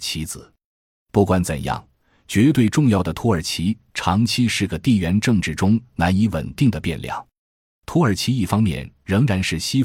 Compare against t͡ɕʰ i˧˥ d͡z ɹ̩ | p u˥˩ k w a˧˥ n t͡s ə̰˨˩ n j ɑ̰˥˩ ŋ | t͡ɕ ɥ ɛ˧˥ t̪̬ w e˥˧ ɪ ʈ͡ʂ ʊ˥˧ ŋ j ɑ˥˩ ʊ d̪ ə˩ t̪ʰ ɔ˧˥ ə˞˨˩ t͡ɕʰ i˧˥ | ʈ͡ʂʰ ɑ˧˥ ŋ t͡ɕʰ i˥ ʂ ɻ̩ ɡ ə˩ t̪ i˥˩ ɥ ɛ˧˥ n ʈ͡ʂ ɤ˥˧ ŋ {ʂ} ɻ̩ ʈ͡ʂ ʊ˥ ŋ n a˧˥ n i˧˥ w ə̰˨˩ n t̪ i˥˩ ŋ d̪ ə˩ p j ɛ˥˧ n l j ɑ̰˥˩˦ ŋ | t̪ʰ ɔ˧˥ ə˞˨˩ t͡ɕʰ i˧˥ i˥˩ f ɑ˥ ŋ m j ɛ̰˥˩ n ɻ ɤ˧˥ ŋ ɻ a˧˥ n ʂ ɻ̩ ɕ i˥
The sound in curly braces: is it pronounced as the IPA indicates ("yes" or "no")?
no